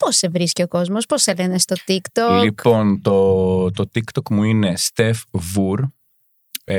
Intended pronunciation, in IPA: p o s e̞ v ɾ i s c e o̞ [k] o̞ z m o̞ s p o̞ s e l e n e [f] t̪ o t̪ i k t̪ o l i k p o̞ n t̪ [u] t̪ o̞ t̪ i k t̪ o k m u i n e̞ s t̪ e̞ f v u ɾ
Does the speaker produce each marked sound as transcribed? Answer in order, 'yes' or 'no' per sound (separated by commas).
yes, no, no